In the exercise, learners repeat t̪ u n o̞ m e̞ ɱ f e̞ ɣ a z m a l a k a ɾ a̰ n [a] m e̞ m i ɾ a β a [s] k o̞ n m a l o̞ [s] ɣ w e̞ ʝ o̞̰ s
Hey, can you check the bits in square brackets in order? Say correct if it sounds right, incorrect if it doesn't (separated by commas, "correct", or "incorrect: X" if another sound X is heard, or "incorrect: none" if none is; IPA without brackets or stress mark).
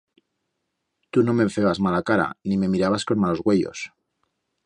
incorrect: i, correct, incorrect: z